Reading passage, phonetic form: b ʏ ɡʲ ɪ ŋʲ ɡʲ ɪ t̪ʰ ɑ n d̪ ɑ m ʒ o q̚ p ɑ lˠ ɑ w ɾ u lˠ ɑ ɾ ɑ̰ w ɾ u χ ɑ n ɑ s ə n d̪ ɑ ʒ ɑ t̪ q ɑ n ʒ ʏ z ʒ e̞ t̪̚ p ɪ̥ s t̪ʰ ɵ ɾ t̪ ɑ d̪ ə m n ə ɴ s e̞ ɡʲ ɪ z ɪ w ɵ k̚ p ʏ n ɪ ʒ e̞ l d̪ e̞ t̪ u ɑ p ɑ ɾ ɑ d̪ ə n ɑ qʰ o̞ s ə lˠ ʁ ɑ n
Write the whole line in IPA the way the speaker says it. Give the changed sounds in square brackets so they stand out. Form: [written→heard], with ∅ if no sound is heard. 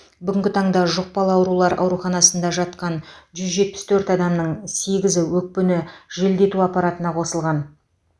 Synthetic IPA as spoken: b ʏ ɡʲ ɪ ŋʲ ɡʲ ɪ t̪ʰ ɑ [n→ɴ] d̪ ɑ [m→∅] ʒ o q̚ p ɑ lˠ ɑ w ɾ u lˠ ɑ ɾ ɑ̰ w ɾ u χ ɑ n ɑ s ə n d̪ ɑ ʒ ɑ t̪ q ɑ n ʒ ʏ z ʒ e̞ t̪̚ p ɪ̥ s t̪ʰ ɵ ɾ t̪ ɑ d̪ [ə→ɑ] m n ə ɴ s e̞ ɡʲ ɪ z ɪ w ɵ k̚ p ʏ n ɪ ʒ e̞ l d̪ e̞ t̪ u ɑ p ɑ ɾ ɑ [d̪→t̪] ə n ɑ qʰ o̞ s ə lˠ ʁ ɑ n